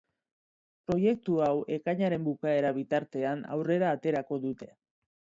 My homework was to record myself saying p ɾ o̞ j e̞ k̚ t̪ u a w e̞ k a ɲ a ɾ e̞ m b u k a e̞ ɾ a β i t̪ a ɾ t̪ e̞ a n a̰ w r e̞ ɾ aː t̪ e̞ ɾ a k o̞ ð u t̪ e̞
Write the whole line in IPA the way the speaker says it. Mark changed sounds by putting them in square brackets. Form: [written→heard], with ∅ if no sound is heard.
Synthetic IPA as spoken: p ɾ o̞ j e̞ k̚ t̪ u a w e̞ k a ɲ a ɾ e̞ m b u k a e̞ ɾ a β i t̪ a ɾ t̪ e̞ a n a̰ w r e̞ ɾ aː t̪ e̞ ɾ a k o̞ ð u t̪ e̞